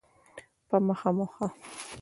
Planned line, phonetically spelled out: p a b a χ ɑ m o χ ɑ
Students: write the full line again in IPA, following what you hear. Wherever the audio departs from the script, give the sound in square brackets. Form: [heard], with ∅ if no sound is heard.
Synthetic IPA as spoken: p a [m] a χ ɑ m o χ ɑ